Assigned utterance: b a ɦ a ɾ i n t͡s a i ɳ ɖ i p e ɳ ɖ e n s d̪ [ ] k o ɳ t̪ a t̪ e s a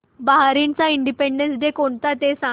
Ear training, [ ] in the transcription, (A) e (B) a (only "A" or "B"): A